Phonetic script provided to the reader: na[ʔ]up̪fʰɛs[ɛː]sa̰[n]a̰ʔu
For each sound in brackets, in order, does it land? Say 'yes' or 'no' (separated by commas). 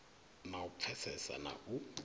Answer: no, no, yes